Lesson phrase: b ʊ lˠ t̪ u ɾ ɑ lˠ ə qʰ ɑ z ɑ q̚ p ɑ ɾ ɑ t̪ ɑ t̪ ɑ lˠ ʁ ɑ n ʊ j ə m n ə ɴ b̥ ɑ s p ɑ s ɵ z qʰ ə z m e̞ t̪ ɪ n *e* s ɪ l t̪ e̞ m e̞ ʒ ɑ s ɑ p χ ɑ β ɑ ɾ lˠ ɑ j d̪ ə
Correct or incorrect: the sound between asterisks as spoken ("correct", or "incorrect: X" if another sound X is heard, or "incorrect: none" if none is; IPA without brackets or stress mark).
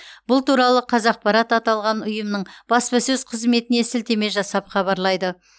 correct